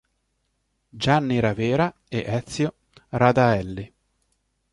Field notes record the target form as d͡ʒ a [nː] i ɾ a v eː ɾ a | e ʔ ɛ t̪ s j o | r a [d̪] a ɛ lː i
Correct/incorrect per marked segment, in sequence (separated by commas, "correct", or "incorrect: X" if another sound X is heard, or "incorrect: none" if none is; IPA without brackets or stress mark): correct, correct